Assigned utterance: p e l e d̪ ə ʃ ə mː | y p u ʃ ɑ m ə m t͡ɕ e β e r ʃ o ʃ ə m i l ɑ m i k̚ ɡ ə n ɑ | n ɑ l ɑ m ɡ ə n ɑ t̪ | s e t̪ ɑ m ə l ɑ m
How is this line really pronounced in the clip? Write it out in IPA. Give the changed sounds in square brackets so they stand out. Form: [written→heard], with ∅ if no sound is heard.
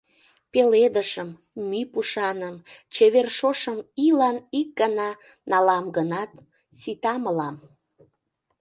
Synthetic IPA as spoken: p e l e d̪ ə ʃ ə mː | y p u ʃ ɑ [m→n] ə m t͡ɕ e β e r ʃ o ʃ ə m i l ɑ [m→n] i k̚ ɡ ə n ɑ | n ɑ l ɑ m ɡ ə n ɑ t̪ | s [e→i] t̪ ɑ m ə l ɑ m

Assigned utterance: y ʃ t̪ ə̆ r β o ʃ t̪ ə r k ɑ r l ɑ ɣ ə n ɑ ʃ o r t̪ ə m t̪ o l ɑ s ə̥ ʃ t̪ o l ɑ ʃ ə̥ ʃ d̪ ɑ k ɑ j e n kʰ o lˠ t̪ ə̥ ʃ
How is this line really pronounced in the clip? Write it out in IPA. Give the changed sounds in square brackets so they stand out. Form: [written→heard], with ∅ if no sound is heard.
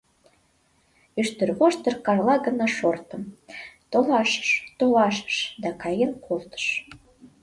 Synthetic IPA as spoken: y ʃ t̪ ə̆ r β o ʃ t̪ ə r k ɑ r l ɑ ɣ ə n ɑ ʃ o r t̪ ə m t̪ o l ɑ [s→ʃ] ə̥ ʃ t̪ o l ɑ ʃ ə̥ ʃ d̪ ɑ k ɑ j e n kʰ o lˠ t̪ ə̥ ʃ

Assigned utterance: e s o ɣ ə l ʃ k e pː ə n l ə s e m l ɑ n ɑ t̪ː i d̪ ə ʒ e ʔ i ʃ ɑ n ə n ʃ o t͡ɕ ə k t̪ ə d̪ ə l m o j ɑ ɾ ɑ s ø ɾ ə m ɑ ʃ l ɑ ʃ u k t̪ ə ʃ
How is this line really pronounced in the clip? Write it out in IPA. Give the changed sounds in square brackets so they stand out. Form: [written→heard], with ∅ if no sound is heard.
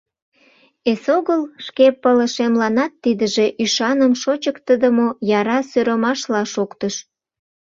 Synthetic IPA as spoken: e s o ɣ ə l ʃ k e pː ə [n→∅] l ə [s→ʃ] e m l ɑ n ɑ t̪ː i d̪ ə ʒ e ʔ [i→y] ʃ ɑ n ə [n→m] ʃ o t͡ɕ ə k t̪ ə d̪ ə [l→∅] m o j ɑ ɾ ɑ s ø ɾ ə m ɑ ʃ l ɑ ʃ [u→o] k t̪ ə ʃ

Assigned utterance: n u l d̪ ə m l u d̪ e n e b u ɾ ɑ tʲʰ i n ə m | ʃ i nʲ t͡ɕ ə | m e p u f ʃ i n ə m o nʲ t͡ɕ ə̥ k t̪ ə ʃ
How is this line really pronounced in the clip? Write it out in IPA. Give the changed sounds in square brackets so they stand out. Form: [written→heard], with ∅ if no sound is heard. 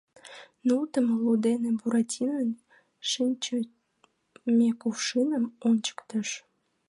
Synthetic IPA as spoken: n u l [d̪→t̪] ə m l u d̪ e n e b u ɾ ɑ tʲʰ i n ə [m→n] | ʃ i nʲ t͡ɕ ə | m e [p→k] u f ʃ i n ə m o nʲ t͡ɕ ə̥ k t̪ ə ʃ

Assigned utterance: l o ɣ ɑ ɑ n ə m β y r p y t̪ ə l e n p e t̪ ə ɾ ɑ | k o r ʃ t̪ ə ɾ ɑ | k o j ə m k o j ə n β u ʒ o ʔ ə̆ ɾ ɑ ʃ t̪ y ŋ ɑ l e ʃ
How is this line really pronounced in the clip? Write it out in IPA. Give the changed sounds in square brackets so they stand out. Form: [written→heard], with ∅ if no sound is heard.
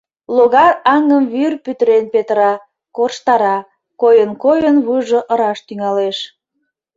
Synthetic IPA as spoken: l o ɣ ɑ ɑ [n→ŋ] ə m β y r p y t̪ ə [l→ɾ] e n p e t̪ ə ɾ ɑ | k o r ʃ t̪ [ə→ɑ] ɾ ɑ | k o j ə [m→n] k o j ə n β u ʒ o ʔ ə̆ ɾ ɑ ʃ t̪ y ŋ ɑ l e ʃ

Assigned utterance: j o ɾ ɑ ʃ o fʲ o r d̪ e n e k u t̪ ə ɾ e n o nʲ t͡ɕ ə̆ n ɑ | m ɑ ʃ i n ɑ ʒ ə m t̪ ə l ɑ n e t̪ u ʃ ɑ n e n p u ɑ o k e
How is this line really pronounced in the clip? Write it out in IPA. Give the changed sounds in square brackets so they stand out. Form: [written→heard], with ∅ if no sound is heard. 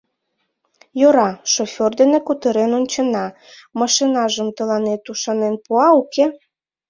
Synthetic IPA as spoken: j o ɾ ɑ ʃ o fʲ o r d̪ e n e k u t̪ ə ɾ e n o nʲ t͡ɕ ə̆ n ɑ | m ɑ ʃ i n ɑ ʒ ə m t̪ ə l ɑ n e t̪ u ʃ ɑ n e n p u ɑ [o→u] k e

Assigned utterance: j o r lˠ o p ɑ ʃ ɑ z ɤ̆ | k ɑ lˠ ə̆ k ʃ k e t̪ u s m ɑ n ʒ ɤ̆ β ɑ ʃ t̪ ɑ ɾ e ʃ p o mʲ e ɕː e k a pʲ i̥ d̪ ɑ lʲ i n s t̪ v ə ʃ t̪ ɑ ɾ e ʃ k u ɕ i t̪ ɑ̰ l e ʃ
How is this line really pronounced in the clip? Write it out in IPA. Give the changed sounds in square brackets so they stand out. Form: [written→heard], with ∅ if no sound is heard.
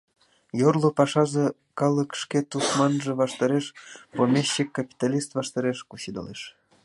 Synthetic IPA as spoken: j o r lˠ o p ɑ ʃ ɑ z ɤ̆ | k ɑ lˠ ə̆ k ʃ k e t̪ u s m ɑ n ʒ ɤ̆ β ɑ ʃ t̪ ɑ ɾ e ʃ p o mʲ e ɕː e k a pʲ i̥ [d̪→t̪] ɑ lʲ i [n→∅] s t̪ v [ə→ɑ] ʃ t̪ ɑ ɾ e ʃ k u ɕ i [t̪→d̪] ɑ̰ l e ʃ

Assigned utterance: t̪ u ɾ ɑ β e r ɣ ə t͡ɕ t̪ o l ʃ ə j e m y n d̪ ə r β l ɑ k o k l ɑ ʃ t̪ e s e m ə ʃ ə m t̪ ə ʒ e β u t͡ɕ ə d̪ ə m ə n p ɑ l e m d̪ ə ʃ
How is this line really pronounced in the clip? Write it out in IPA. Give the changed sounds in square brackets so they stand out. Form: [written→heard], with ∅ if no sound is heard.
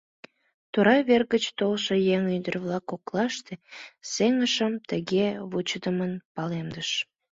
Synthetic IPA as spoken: t̪ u ɾ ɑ β e r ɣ ə t͡ɕ t̪ o l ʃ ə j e [m→ŋ] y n d̪ ə r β l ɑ k o k l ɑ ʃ t̪ e s e [m→ŋ] ə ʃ ə m t̪ ə [ʒ→ɣ] e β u t͡ɕ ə d̪ ə m ə n p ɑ l e m d̪ ə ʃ

